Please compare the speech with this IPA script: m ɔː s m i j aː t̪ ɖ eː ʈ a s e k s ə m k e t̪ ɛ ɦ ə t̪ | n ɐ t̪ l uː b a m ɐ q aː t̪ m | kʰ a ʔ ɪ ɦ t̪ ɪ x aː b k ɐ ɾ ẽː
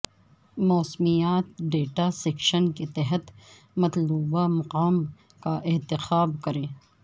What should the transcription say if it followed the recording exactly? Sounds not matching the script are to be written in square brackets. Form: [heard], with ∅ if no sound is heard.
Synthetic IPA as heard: m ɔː s m i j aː t̪ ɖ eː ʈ a s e k [ʃ] ə [n] k e t̪ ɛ ɦ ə t̪ | [m] ɐ t̪ l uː b a m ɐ q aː [∅] m | [k] a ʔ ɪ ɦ t̪ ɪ x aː b k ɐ ɾ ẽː